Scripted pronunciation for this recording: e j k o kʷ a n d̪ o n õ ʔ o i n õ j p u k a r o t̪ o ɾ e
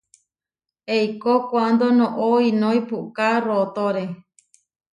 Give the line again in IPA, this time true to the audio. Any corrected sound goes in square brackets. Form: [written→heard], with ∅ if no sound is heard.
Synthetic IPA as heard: e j k o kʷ a n d̪ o n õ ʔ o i n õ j p u k a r o t̪ o ɾ e